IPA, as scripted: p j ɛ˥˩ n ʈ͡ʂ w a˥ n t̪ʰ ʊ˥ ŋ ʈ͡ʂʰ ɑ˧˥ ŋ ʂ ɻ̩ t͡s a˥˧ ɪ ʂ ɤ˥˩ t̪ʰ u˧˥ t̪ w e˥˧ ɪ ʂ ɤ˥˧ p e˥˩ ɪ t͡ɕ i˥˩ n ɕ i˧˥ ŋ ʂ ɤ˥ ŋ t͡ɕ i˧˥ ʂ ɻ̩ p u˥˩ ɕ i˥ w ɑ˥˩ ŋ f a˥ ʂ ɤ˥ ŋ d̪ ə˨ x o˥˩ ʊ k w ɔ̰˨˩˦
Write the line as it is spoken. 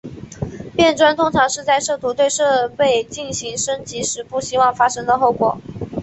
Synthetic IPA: p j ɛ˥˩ n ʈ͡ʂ w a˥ n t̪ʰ ʊ˥ ŋ ʈ͡ʂʰ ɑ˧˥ ŋ ʂ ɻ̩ t͡s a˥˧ ɪ ʂ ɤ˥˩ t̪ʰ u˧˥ t̪ w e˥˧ ɪ ʂ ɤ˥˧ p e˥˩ ɪ t͡ɕ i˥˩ n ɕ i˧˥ ŋ ʂ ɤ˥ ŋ t͡ɕ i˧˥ ʂ ɻ̩ p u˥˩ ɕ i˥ w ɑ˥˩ ŋ f a˥ ʂ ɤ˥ ŋ d̪ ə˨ x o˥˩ ʊ k w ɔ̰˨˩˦